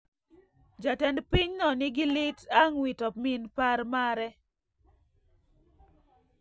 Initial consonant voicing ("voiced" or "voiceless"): voiced